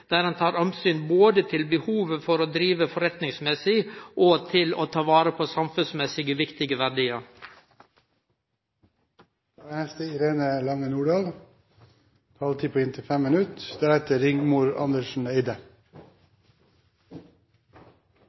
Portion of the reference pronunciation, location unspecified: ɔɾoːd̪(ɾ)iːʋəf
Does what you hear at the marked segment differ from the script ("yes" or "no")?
no